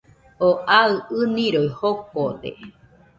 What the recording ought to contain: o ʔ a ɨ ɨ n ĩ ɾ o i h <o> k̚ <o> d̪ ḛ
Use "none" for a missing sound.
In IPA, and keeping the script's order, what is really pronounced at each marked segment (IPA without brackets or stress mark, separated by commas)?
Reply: o, o